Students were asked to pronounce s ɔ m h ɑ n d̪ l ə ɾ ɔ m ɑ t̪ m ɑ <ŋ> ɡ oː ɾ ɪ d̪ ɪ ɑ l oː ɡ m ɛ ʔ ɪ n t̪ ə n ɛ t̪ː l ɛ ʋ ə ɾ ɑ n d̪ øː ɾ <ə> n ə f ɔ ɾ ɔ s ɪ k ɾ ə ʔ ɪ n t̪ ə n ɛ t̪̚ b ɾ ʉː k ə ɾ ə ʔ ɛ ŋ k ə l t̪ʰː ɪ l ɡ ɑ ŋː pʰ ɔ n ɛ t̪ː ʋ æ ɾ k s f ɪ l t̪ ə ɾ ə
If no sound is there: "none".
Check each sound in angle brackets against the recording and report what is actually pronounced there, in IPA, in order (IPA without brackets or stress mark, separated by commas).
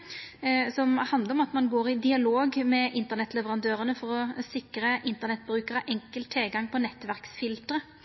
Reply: n, ə